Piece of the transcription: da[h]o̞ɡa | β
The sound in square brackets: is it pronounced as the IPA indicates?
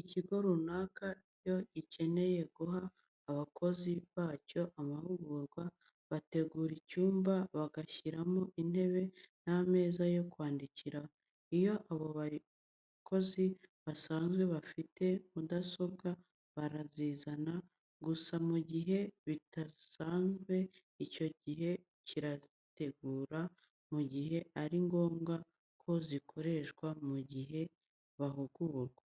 no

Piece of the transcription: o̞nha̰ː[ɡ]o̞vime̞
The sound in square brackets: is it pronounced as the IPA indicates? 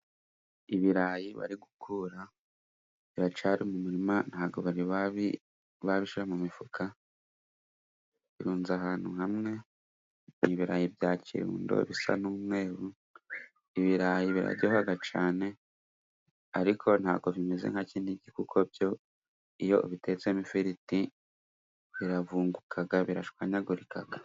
yes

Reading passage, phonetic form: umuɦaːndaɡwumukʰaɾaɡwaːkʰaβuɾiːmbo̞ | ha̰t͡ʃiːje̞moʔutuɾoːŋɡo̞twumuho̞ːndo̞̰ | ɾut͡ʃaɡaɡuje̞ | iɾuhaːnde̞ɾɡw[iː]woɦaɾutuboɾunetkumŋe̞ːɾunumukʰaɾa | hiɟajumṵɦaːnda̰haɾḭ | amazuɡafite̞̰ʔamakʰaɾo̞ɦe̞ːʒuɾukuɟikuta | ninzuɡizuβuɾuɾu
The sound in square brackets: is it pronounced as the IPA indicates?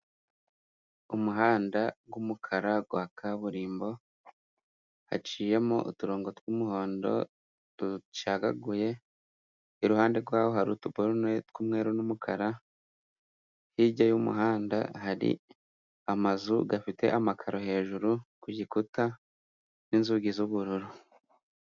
no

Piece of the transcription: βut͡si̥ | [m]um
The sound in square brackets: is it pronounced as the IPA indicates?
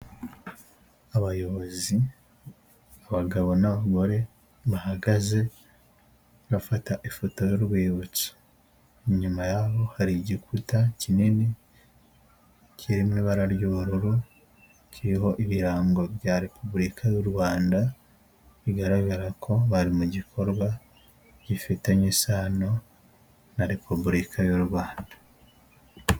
no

